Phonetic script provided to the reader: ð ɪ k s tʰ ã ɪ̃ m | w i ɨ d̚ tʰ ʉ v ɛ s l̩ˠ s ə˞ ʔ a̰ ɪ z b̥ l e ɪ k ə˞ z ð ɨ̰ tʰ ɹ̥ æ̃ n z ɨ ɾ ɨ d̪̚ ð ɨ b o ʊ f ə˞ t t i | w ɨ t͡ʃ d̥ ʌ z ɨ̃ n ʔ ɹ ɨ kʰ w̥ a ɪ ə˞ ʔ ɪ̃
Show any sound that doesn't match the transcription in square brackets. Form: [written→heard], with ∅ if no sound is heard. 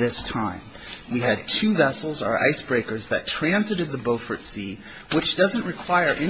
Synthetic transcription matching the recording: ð ɪ [k→∅] s tʰ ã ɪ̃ m | w i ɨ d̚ tʰ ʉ v ɛ s l̩ˠ [s→z] ə˞ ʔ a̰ ɪ [z→s] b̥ [l→ɹ] e ɪ k ə˞ z ð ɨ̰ tʰ ɹ̥ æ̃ n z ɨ ɾ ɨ d̪̚ ð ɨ b o ʊ f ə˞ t [t→s] i | w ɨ t͡ʃ d̥ ʌ z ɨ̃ n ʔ ɹ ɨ kʰ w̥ a ɪ ə˞ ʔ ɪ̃